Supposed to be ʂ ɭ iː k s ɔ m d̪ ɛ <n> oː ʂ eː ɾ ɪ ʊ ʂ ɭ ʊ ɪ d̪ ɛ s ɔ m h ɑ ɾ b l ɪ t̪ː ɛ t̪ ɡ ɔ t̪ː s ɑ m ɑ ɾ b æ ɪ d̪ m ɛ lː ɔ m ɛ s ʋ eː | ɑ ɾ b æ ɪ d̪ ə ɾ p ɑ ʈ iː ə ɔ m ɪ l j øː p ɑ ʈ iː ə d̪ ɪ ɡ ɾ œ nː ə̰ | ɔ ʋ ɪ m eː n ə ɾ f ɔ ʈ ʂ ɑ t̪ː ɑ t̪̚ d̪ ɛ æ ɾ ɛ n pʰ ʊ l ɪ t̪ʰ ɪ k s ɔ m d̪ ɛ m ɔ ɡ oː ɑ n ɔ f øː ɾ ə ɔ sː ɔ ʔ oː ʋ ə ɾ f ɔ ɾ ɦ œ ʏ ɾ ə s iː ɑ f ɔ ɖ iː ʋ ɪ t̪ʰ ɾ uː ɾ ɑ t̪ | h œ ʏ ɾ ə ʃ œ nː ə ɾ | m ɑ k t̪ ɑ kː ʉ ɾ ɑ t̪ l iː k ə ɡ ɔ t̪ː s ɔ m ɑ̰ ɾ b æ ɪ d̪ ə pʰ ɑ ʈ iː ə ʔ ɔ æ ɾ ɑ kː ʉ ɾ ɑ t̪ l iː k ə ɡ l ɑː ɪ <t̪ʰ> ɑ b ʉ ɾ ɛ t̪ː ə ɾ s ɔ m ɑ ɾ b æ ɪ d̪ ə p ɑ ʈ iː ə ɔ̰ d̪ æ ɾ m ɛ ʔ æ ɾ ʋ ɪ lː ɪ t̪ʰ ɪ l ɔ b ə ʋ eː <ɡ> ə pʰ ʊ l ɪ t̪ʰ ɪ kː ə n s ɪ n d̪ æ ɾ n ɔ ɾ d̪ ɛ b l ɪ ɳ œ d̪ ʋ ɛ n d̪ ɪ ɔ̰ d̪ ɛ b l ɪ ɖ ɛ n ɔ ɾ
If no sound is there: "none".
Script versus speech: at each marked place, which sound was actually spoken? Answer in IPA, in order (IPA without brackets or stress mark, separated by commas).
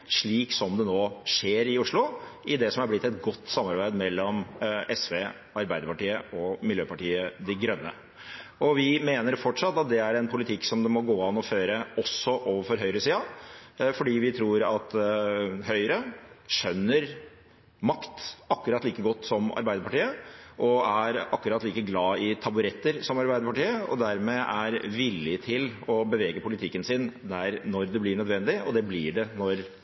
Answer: n, t̪ʰ, ɡ